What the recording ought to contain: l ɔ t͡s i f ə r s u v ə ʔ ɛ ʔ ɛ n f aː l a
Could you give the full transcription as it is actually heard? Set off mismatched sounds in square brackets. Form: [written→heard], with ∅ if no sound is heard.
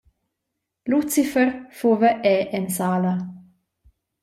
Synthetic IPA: l [ɔ→u] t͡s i f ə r [s→f] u v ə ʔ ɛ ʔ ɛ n [f→s] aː l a